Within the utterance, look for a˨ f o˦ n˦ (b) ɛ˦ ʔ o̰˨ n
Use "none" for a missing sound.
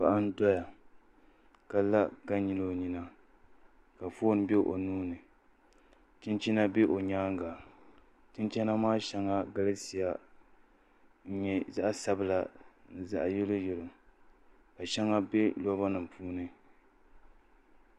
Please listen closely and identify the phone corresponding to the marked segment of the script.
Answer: b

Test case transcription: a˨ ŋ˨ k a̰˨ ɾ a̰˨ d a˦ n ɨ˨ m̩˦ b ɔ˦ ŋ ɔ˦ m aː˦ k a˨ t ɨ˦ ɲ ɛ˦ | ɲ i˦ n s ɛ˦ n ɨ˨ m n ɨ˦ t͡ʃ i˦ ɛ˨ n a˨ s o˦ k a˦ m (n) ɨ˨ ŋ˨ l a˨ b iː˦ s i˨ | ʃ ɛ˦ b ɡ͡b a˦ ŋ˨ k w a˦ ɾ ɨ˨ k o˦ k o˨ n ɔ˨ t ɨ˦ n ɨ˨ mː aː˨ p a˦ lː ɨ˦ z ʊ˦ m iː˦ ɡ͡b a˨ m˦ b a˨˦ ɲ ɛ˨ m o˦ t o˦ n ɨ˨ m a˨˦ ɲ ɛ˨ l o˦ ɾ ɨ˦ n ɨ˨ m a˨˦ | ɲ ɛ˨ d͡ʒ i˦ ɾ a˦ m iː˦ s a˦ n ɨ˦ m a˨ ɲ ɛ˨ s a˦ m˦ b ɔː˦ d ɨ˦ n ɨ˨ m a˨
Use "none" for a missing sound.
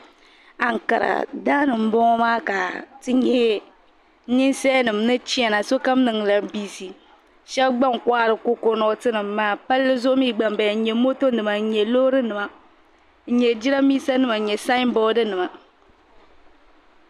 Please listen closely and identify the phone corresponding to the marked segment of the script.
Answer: n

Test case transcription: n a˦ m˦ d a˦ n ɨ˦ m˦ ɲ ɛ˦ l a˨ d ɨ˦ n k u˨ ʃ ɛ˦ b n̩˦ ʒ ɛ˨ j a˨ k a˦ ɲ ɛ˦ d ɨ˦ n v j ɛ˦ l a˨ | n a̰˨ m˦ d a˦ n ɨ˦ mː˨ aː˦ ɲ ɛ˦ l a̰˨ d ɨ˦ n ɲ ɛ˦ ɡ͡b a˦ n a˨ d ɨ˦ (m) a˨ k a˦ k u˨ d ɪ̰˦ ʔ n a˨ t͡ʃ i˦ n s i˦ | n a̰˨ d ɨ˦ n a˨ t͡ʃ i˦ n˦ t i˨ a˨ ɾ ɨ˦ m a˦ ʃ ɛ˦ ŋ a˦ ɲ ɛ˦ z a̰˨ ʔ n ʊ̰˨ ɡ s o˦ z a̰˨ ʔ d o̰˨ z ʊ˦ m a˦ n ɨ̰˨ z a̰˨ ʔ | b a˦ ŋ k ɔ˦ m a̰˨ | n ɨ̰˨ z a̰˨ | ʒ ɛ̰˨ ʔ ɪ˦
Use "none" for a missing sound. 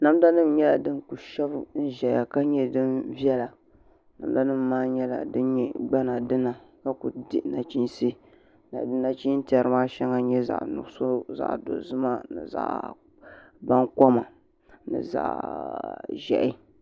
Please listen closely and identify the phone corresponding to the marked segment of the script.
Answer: n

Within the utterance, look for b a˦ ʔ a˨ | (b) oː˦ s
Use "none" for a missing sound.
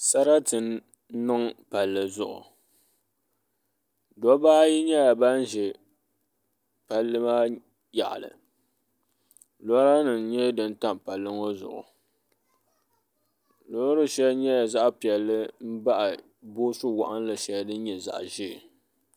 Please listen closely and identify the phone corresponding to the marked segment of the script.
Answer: b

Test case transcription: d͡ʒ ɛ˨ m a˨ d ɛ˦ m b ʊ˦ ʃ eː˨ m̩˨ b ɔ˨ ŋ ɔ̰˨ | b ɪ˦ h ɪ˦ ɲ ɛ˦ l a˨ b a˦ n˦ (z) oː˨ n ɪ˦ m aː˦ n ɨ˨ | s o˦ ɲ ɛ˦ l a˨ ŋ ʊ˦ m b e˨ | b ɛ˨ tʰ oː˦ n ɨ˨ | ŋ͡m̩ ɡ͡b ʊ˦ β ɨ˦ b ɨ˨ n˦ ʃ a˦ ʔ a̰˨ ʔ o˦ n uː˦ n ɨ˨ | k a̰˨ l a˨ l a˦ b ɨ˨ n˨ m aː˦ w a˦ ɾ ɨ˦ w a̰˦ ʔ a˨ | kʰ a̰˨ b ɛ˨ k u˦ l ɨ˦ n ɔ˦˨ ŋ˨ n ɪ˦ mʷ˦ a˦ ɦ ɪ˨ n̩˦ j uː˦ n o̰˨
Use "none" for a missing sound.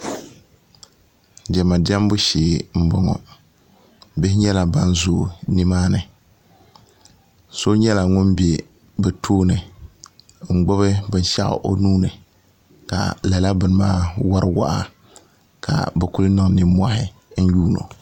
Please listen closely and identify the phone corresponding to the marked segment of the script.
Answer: z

